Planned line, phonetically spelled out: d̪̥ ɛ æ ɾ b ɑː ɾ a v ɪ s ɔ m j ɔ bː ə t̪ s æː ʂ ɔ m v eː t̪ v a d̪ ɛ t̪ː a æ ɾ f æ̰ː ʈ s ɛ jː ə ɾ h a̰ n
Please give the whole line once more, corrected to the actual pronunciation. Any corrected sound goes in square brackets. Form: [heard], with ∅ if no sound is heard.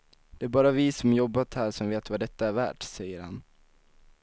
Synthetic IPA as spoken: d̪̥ ɛ æ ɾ b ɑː ɾ a v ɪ s ɔ m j ɔ bː [a] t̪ [h] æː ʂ ɔ m v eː t̪ v a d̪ ɛ t̪ː a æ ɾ [v] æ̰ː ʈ s ɛ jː ə ɾ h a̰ n